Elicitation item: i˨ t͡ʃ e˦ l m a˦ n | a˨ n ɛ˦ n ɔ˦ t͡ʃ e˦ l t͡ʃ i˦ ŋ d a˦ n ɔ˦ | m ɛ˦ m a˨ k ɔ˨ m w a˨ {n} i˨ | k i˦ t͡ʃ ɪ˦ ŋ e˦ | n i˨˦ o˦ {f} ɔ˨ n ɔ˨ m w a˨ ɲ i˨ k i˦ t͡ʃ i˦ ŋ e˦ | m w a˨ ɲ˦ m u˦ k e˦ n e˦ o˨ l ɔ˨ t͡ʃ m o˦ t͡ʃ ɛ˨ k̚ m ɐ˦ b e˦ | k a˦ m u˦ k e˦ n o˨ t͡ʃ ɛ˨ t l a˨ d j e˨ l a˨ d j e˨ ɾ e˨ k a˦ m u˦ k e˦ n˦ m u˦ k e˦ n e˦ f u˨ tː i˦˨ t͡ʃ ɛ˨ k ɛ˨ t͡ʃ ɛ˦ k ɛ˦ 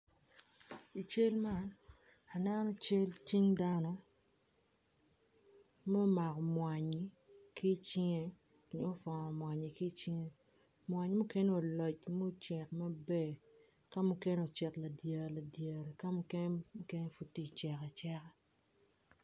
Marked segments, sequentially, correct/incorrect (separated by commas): incorrect, correct